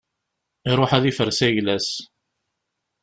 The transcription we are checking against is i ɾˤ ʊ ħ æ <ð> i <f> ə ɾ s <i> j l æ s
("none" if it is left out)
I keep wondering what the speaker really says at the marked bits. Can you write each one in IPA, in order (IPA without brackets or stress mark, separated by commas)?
ð, f, æ